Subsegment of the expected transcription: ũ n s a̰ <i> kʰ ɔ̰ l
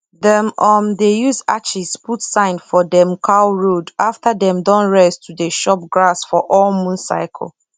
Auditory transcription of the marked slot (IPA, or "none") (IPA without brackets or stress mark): ɪ